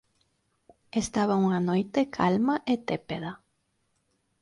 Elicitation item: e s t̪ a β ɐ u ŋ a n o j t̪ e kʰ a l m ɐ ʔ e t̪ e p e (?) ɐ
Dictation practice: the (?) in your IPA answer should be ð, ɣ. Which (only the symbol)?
ð